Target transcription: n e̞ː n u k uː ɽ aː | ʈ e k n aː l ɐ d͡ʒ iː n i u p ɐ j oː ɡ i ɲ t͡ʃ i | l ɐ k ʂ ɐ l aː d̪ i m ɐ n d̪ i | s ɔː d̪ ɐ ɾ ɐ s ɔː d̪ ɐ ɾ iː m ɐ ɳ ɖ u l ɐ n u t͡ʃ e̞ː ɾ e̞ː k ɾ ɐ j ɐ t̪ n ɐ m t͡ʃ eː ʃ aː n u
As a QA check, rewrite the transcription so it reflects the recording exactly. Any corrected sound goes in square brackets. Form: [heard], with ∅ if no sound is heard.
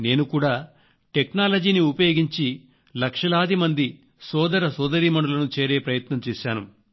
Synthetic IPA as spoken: n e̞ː n u k uː ɽ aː | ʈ e k n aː l ɐ d͡ʒ iː n i u p ɐ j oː ɡ i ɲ t͡ʃ i | l ɐ k ʂ ɐ l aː d̪ i m ɐ n d̪ i | s ɔː d̪ ɐ ɾ ɐ s ɔː d̪ ɐ ɾ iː m ɐ ɳ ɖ u l ɐ n u t͡ʃ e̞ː ɾ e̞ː [p] ɾ ɐ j ɐ t̪ n ɐ m t͡ʃ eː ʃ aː n u